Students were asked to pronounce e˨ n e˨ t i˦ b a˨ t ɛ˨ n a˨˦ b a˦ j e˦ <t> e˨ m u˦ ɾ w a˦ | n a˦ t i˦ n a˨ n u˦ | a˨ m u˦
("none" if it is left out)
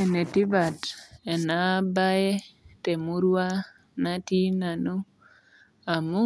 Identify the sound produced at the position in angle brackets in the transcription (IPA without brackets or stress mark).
t